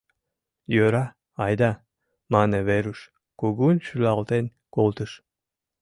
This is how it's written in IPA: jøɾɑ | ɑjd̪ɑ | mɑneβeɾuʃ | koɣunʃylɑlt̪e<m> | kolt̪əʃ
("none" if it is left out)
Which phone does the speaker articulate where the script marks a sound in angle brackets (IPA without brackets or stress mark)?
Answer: n